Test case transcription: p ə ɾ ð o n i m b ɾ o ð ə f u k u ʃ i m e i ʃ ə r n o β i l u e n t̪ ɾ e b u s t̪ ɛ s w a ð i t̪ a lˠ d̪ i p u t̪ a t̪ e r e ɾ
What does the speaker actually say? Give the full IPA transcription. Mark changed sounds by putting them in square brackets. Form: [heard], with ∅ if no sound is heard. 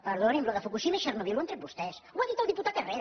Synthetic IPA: p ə ɾ ð o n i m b [l] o ð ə f u k u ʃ i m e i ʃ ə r n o β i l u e n t̪ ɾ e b u s t̪ ɛ s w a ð i t̪ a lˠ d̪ i p u t̪ a t̪ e r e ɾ

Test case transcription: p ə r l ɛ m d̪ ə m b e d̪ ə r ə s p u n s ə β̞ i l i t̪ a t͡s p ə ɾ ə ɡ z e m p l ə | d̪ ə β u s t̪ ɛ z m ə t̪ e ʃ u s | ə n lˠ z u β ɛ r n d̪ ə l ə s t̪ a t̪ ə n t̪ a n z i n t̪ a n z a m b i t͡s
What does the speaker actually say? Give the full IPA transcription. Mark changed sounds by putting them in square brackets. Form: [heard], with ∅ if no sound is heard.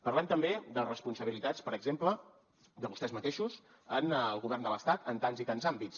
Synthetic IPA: p ə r l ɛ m [t̪] ə m b e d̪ ə r ə s p u n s ə β̞ i l i t̪ a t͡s p ə ɾ ə ɡ z e m p l ə | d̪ ə β u s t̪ ɛ z m ə t̪ e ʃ u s | ə n lˠ [ɣ] u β ɛ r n d̪ ə l ə s t̪ a t̪ ə n t̪ a n z i [∅] t̪ a n z a m b i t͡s

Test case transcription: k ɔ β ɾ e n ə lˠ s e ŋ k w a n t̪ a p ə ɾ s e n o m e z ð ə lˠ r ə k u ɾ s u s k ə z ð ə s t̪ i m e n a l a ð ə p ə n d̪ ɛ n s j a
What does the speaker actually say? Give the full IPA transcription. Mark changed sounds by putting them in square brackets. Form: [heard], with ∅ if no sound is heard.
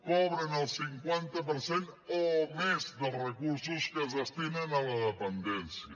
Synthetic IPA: k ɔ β ɾ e n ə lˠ s [i] ŋ k w a n t̪ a p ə ɾ s e n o m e z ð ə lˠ r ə k u ɾ s u s k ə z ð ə s t̪ i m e n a l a ð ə p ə n d̪ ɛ n s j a

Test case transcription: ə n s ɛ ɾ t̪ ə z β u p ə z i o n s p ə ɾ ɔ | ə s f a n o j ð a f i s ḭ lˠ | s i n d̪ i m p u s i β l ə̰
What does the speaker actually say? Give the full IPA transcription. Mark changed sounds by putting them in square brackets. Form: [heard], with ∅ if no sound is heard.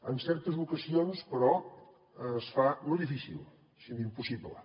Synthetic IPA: ə n s ɛ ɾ t̪ ə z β u [k] ə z i o n s p ə ɾ ɔ | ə s f a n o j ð [i] f i s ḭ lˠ | s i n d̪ i m p u s i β l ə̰

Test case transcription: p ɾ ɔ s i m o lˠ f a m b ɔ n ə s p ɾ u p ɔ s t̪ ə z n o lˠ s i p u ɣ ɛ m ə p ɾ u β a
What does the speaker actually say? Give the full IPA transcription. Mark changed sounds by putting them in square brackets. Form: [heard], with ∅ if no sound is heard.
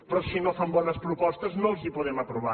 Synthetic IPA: p ɾ ɔ s i [n] o [∅] f a m b ɔ n ə s p ɾ u p ɔ s t̪ ə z n o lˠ [z] i p u [ð] ɛ m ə p ɾ u β a

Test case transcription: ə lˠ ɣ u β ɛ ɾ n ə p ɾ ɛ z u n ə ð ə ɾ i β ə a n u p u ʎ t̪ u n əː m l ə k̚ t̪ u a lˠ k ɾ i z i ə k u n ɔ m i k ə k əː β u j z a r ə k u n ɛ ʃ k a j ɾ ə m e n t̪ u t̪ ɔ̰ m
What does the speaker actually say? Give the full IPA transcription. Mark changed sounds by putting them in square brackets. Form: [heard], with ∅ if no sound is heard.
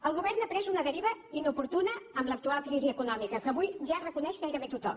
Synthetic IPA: ə lˠ ɣ u β ɛ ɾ n ə p ɾ ɛ z u n ə ð ə ɾ i β ə [i] n u p u [ɾ] t̪ u n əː m l ə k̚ t̪ u a lˠ k ɾ i z i ə k u n ɔ m i k ə k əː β u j [ʒ] a r ə k u n ɛ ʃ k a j ɾ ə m e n t̪ u t̪ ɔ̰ m

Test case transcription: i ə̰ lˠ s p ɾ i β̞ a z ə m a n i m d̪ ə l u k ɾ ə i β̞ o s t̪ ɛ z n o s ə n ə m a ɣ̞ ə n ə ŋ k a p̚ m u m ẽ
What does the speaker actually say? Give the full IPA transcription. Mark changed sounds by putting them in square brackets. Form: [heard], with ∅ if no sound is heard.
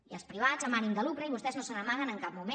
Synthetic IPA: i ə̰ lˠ s p ɾ i β̞ a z ə m a n i m d̪ ə l u k ɾ ə i β̞ [u] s t̪ ɛ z n o s ə n ə m a ɣ̞ ə n ə ŋ k a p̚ m u m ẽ

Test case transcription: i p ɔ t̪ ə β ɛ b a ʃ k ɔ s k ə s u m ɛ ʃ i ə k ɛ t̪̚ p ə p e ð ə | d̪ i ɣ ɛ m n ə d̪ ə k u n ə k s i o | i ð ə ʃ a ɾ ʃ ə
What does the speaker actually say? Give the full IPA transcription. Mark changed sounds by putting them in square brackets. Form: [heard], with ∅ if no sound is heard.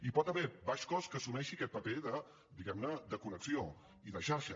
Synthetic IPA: i p ɔ t̪ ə β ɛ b a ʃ k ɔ s k ə s u m ɛ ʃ i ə k ɛ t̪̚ p ə p e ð ə | d̪ i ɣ ɛ m n ə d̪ ə k u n ə k s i o | i ð ə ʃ a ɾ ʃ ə

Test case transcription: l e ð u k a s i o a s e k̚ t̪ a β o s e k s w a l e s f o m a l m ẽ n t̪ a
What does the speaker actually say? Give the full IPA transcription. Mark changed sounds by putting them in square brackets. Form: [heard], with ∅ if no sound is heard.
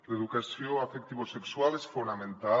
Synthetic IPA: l e ð u k a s [j] o a [f] e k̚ t̪ [i] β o s e k s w a l e s f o [n] a [∅] m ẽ n t̪ a

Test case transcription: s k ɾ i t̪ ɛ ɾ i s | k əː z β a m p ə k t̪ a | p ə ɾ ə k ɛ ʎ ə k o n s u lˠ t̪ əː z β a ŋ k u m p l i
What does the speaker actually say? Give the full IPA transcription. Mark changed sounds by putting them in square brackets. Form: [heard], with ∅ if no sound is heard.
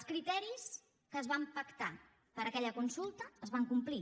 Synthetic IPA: s k ɾ i t̪ ɛ ɾ i s | k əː z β a m p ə k t̪ a | p ə ɾ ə k ɛ ʎ ə k [u] n s u lˠ t̪ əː z β a ŋ k u m p l i

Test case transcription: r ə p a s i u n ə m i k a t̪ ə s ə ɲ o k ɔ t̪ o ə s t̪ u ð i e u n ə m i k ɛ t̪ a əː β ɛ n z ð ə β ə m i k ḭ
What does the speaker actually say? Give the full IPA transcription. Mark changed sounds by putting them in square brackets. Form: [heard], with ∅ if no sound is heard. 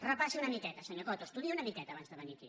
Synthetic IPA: r ə p a s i u n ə m i k [ɛ] t̪ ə s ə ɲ o k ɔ t̪ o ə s t̪ u ð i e u n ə m i k ɛ t̪ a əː β [a] n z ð ə β ə [n] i k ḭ

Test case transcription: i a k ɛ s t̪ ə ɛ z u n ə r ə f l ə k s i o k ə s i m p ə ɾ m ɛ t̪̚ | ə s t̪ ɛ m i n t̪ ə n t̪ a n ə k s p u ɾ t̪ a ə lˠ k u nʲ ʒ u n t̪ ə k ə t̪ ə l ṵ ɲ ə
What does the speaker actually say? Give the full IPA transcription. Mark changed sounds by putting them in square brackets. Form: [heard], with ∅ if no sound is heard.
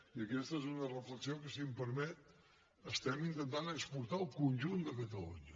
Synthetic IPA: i [ə] k ɛ s t̪ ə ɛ z u n ə r ə f l ə k s i o k ə s i m p ə ɾ m ɛ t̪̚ | ə s t̪ ɛ m i n t̪ ə n t̪ a n ə k s p u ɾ t̪ a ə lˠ k u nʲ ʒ u n [d̪] ə k ə t̪ ə l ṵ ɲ ə

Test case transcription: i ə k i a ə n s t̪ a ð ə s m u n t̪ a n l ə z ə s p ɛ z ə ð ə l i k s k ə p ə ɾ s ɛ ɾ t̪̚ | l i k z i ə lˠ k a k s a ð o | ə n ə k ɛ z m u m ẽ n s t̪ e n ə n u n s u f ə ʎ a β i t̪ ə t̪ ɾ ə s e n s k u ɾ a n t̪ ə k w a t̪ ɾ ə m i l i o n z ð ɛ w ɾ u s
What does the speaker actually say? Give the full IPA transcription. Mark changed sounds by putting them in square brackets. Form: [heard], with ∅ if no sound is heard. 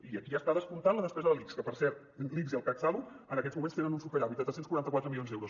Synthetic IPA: i ə k i a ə [∅] s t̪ a ð ə s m u n t̪ a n l ə [ð] ə s p ɛ z ə ð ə l i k s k ə p ə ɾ s ɛ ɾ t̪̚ | l i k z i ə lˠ k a k s a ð [u] | ə n ə k ɛ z m u m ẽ n s t̪ e n ə n u n s u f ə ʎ a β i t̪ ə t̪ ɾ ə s e n s k u ɾ a n t̪ ə k w a t̪ ɾ ə m i l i o n z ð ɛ w ɾ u s

